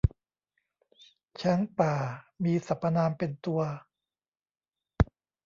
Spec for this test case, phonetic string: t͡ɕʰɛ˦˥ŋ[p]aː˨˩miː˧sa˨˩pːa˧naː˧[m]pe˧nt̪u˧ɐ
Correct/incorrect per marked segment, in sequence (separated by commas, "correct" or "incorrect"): correct, correct